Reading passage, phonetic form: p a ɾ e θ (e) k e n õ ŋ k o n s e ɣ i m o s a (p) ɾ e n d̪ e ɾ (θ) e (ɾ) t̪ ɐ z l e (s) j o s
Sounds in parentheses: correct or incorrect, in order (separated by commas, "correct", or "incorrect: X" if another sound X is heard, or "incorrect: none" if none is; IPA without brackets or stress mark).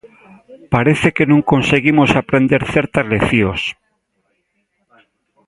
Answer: correct, correct, correct, correct, incorrect: θ